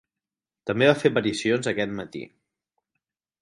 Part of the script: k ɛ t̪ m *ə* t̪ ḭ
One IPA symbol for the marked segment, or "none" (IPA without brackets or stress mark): ə